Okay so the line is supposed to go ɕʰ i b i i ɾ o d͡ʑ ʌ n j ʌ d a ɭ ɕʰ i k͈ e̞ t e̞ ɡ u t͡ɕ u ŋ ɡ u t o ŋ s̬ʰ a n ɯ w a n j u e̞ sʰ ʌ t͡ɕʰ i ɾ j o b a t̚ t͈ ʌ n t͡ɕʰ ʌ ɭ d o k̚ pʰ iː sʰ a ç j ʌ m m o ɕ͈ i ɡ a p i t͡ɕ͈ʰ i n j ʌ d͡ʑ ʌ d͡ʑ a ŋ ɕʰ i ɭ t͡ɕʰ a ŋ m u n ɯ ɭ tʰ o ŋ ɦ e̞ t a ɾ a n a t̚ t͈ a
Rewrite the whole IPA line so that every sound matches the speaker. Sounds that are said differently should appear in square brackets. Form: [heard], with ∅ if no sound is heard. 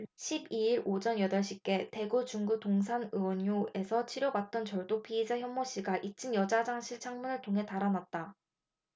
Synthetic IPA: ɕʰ i b i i ɾ o d͡ʑ ʌ n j ʌ d [ʌ] ɭ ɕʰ i k͈ e̞ t e̞ ɡ u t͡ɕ u ŋ ɡ u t o ŋ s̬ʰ a n ɯ w [ʌ] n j u e̞ sʰ ʌ t͡ɕʰ i ɾ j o b a t̚ t͈ ʌ n [t͡ɕ] ʌ ɭ d o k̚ pʰ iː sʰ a ç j ʌ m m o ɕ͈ i ɡ a [ʔ] i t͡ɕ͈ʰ i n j ʌ d͡ʑ [a] d͡ʑ a ŋ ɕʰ i ɭ t͡ɕʰ a ŋ m u n ɯ ɭ tʰ o ŋ ɦ e̞ t a ɾ a n a t̚ t͈ a